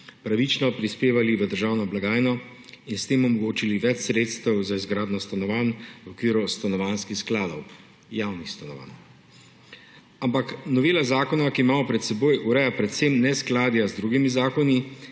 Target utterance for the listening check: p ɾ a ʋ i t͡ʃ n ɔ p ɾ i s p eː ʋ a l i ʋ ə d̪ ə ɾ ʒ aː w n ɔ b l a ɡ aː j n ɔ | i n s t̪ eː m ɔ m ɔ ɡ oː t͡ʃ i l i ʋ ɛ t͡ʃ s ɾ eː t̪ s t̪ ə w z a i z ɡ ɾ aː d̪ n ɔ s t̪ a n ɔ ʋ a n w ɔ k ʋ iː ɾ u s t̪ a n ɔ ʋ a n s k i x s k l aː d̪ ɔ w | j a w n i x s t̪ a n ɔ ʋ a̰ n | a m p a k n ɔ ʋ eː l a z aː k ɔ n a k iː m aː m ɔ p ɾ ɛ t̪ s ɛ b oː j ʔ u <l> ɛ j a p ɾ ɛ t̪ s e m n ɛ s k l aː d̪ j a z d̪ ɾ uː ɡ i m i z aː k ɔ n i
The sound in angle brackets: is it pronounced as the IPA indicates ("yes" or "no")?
no